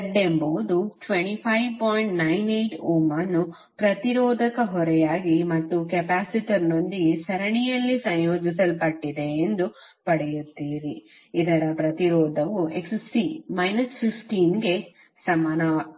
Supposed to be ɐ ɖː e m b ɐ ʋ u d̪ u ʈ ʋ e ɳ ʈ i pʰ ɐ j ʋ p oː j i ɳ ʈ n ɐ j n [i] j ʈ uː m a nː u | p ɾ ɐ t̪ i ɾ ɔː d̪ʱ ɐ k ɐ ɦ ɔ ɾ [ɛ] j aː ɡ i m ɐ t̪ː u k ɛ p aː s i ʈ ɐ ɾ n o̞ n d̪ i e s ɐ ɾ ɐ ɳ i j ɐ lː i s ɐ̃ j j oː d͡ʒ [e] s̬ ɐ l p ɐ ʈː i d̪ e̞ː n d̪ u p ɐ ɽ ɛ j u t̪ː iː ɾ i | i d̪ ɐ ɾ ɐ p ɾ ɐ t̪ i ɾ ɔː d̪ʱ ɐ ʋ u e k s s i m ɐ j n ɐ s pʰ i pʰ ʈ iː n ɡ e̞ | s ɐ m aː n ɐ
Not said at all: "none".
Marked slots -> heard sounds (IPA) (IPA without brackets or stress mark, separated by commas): e, ɛ, i